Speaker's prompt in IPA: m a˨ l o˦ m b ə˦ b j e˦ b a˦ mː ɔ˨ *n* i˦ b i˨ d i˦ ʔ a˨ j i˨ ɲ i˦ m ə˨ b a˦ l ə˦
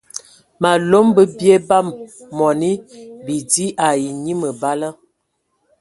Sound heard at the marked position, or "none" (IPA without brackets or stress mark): n